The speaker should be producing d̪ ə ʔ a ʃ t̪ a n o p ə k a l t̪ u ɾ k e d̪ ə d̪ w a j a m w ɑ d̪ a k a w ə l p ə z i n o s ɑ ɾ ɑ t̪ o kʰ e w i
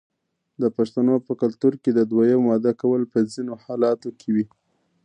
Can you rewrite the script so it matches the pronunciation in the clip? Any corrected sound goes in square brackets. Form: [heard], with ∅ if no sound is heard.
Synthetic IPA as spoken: d̪ ə [p] a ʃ t̪ a n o p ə k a l t̪ u ɾ k e d̪ ə d̪ w a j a m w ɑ d̪ a k a w ə l p ə z i n o [h] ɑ [l] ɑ t̪ o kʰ e w i